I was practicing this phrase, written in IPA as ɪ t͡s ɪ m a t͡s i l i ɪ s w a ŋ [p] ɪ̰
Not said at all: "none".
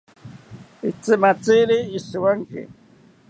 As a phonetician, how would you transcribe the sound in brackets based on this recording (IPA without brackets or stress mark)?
k